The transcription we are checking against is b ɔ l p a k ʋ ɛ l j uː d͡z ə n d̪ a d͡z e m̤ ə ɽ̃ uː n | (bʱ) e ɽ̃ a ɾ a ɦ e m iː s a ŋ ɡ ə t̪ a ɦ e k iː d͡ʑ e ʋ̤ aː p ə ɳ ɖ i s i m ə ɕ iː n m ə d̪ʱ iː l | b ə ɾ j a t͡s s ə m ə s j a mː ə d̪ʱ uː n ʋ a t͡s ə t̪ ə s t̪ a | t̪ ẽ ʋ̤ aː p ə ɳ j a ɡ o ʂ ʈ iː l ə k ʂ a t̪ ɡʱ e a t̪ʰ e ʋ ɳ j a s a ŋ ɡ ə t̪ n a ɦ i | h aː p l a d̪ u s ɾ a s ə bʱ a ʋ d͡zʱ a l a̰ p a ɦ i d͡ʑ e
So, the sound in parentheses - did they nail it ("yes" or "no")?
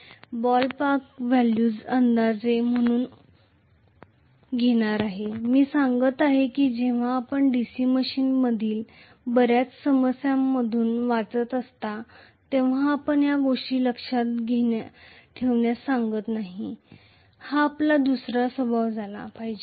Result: no